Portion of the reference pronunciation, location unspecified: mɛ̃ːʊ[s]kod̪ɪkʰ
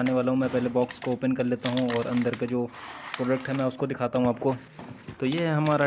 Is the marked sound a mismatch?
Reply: no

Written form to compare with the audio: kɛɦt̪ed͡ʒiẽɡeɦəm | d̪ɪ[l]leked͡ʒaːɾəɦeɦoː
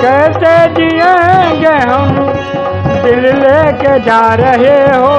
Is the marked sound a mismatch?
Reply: no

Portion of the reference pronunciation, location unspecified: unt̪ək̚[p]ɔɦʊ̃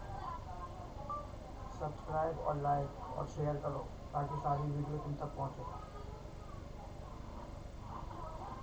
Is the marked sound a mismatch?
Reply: no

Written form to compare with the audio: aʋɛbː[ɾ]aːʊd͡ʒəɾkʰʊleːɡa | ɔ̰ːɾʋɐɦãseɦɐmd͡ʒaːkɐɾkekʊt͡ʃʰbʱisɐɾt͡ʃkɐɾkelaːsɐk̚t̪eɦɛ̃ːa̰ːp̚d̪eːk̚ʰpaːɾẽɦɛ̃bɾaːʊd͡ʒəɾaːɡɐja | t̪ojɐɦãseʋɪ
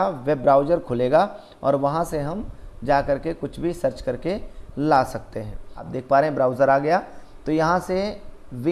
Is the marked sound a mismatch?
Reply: no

